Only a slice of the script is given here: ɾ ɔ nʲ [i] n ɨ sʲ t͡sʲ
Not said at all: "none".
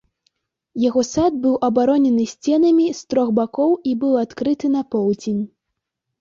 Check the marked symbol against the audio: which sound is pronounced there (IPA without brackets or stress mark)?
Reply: ɛ